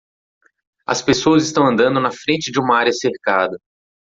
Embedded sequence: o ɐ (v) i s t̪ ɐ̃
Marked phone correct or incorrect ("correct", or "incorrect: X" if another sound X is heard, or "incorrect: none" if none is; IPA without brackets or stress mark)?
incorrect: z